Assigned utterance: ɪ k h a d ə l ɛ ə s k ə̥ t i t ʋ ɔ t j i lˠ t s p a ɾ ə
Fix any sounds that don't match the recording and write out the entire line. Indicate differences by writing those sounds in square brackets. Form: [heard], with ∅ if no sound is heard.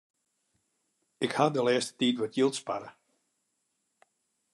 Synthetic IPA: ɪ k h a d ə l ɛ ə s [t] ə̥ t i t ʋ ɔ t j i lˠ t s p a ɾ ə